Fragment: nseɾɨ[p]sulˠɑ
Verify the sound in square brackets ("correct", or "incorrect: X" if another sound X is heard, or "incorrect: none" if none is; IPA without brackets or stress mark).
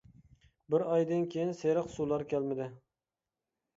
incorrect: q